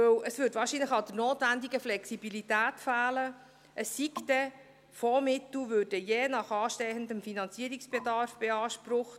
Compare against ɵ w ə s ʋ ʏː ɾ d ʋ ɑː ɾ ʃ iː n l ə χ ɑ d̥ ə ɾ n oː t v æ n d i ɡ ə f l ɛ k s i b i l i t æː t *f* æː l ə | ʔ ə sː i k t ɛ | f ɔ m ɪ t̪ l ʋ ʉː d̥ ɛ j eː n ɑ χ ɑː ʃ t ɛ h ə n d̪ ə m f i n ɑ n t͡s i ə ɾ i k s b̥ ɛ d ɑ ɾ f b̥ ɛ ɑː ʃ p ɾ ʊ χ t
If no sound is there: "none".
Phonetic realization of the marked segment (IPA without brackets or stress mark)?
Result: f